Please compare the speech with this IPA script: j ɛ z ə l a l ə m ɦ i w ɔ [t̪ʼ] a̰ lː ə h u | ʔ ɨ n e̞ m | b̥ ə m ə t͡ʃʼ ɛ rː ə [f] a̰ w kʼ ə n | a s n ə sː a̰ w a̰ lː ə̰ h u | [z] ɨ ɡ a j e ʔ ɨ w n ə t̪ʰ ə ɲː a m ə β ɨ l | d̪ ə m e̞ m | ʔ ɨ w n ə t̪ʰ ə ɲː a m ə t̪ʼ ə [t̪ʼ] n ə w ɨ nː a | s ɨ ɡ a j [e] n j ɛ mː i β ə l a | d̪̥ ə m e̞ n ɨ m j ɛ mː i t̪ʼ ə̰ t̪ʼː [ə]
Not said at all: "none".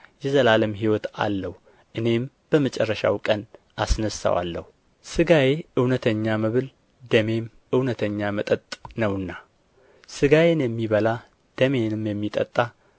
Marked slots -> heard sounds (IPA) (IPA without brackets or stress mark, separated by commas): t̪, ʃ, s, t̪ʼ, e, a